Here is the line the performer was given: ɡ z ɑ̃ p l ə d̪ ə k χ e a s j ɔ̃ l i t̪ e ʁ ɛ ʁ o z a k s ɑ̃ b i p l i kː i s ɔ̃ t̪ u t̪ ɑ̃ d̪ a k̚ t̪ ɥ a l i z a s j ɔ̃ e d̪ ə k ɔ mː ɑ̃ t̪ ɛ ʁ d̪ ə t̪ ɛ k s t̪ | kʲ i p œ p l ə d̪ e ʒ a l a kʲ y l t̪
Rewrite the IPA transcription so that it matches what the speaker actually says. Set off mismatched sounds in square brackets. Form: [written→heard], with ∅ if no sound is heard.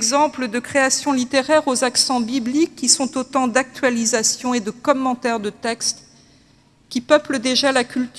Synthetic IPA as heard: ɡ z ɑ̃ p l ə d̪ ə k χ e a s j ɔ̃ l i t̪ e ʁ ɛ ʁ o z a k s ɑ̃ b i [p→b] l i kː i s ɔ̃ t̪ [u→o] t̪ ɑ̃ d̪ a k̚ t̪ ɥ a l i z a s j ɔ̃ e d̪ ə k ɔ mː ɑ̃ t̪ ɛ ʁ d̪ ə t̪ ɛ k s t̪ | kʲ i p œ p l ə d̪ e ʒ a l a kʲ y l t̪

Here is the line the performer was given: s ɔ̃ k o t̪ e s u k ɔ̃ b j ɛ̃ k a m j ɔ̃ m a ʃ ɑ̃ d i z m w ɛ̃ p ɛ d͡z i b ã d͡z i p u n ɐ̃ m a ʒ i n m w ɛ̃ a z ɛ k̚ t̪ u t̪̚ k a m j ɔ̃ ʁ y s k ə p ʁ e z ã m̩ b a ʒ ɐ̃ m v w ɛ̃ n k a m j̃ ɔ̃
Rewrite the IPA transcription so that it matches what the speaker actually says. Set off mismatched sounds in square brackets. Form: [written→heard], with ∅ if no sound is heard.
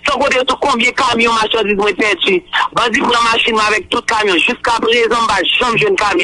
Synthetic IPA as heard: s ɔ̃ k o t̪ e s u k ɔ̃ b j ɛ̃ k a m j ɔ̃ m a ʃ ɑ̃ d i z m w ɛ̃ p ɛ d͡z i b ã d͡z i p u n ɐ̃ m a [ʒ→ʃ] i n m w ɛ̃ a [z→v] ɛ k̚ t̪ u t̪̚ k a m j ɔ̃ [ʁ→ʒ] y s k [ə→a] p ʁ e z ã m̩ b a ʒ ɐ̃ m [v→ʒ] w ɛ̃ n k a m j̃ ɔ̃

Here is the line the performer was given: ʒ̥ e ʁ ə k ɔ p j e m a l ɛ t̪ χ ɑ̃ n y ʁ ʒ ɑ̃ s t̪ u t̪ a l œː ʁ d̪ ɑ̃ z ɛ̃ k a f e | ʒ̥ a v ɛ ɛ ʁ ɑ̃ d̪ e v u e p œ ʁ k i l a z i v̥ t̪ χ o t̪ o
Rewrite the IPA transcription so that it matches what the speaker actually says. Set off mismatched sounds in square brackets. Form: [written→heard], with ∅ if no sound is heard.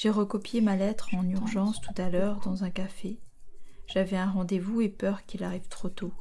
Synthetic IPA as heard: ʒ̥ e ʁ ə k ɔ p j e m a l ɛ t̪ χ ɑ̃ n y ʁ ʒ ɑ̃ s t̪ u t̪ a l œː ʁ d̪ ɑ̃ z ɛ̃ k a f e | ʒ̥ a v ɛ [ɛ→ɛ̃] ʁ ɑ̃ d̪ e v u e p œ ʁ k i l a [z→ʁ] i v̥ t̪ χ o t̪ o

